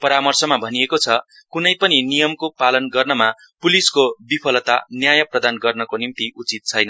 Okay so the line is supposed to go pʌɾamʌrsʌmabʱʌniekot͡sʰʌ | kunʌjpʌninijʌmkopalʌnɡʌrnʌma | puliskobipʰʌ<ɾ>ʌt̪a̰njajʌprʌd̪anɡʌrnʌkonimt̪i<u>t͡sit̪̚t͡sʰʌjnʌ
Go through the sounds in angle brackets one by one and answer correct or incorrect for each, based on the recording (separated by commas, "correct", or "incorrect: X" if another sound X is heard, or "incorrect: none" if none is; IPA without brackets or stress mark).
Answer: incorrect: l, correct